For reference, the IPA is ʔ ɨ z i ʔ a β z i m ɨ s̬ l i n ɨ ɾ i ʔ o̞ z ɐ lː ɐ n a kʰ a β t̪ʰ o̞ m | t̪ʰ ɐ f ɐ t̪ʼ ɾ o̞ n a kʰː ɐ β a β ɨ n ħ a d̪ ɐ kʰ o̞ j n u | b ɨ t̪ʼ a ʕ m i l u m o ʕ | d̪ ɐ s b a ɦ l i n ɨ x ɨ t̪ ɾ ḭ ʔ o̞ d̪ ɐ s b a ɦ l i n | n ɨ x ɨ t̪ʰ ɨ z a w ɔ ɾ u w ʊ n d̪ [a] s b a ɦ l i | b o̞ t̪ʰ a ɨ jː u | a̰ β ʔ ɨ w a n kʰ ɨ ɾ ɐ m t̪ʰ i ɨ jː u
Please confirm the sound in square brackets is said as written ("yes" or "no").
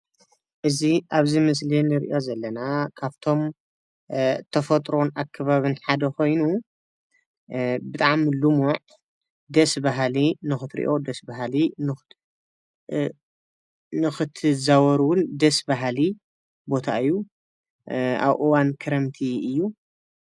no